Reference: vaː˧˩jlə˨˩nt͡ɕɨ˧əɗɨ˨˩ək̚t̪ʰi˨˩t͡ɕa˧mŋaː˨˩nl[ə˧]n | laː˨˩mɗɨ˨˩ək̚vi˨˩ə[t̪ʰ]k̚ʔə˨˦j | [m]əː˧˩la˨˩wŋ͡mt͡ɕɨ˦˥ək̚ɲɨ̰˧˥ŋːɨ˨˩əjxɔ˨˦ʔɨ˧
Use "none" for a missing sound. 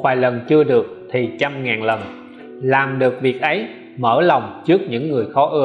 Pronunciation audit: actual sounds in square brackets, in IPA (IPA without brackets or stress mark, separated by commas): ə˨˩, none, m